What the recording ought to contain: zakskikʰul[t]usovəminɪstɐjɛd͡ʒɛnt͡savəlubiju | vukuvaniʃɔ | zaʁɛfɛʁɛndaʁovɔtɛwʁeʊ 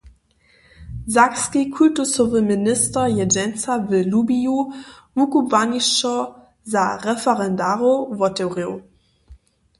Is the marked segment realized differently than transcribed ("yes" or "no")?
no